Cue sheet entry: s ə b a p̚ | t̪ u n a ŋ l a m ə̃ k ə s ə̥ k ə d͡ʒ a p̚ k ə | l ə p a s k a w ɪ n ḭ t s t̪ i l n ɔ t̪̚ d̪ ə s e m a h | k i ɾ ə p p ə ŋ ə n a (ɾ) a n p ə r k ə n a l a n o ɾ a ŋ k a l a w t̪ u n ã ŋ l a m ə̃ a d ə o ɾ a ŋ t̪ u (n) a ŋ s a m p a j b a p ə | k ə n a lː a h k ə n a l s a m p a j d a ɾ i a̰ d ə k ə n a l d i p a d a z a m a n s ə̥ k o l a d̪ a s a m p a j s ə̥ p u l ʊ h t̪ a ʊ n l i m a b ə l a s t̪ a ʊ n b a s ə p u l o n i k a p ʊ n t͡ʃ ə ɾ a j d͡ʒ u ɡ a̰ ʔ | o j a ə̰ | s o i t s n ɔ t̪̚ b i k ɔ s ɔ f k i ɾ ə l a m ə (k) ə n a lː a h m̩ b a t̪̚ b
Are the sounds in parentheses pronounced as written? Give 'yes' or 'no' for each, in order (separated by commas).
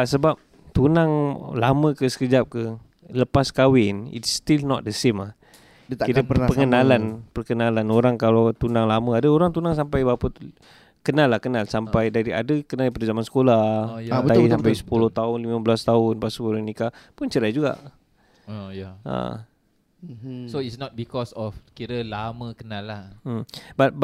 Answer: no, yes, yes